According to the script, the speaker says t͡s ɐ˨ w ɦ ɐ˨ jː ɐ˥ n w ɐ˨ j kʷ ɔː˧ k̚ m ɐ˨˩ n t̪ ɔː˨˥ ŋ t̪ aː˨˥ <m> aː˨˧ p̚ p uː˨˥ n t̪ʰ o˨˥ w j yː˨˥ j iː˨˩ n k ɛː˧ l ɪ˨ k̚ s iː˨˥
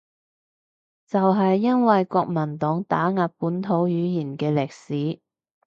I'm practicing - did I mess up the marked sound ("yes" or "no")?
yes